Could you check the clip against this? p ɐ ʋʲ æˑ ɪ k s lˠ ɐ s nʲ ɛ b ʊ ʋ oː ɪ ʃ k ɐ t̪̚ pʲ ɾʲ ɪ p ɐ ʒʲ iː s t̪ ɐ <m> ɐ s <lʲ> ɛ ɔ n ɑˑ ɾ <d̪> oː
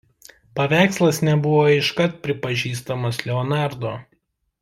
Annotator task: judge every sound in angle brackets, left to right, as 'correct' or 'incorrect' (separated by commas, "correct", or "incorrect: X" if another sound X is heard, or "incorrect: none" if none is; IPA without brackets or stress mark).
correct, correct, correct